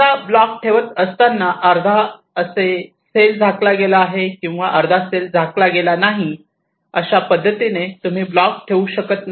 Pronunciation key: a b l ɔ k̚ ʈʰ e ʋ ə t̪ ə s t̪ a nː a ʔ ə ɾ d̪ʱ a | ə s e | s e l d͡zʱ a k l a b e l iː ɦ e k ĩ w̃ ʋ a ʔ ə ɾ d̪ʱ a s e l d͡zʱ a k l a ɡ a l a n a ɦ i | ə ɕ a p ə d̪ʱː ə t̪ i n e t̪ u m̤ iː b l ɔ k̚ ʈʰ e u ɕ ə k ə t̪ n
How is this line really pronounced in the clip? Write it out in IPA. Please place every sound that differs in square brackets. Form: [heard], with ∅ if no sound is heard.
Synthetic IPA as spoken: a b l ɔ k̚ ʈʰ e ʋ ə t̪ ə s t̪ a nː a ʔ ə ɾ d̪ʱ a | ə s e | s e l d͡zʱ a k l a [ɡ] e l [aː] ɦ e k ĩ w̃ ʋ a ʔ ə ɾ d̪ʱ a s e l d͡zʱ a k l a ɡ [e] l a n a ɦ i | ə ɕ a p ə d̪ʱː ə t̪ i n e t̪ u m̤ iː b l ɔ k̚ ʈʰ e u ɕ ə k ə t̪ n